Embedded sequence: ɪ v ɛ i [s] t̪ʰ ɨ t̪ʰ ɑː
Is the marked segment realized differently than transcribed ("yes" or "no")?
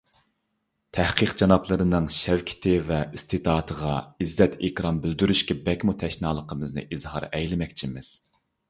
no